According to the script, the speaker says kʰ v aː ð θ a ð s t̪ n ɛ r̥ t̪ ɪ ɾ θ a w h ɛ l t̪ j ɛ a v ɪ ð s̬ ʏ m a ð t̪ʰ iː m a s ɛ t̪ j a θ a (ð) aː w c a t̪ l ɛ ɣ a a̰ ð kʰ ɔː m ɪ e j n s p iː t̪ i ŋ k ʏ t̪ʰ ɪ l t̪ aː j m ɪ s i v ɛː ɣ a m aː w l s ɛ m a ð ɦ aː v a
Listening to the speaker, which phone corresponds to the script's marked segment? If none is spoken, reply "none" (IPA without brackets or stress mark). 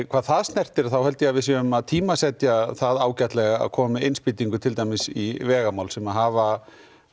ð